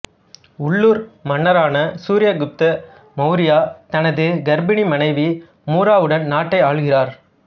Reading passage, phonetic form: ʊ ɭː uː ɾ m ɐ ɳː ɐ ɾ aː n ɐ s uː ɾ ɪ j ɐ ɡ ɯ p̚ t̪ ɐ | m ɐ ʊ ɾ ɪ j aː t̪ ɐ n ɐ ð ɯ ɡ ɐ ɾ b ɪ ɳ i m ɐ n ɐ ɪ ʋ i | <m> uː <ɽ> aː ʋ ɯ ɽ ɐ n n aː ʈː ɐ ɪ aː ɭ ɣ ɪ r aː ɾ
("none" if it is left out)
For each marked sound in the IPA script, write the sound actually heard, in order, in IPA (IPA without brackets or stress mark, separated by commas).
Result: m, ɾ